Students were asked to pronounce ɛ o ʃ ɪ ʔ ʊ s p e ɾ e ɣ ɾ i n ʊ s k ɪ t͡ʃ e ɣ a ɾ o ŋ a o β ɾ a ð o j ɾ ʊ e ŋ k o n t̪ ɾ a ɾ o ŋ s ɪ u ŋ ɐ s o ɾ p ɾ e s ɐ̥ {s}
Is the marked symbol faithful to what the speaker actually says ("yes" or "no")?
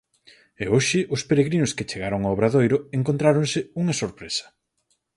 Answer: no